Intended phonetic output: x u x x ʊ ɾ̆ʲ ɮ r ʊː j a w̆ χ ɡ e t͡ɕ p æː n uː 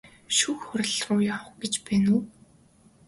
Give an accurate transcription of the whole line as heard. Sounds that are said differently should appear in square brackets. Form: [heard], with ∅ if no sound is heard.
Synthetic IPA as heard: [ʃ] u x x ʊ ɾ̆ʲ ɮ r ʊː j a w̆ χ ɡ e t͡ɕ p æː n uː